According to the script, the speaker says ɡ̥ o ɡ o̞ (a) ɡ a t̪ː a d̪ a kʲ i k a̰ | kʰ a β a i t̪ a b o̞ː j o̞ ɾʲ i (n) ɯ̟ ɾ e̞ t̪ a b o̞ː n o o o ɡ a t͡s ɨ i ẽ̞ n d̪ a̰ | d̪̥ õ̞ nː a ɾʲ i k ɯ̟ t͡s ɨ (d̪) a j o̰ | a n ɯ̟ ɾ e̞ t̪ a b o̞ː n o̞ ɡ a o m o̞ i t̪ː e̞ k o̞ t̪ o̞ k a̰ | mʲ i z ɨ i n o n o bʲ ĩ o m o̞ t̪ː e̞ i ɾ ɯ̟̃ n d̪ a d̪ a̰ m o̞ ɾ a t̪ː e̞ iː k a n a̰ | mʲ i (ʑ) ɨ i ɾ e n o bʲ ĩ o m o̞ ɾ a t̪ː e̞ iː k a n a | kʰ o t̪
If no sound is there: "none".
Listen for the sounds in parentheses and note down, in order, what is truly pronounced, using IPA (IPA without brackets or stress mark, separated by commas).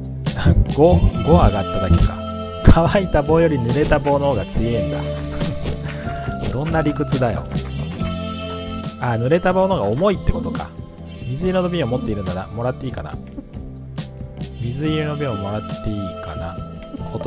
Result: a, n, d̪, z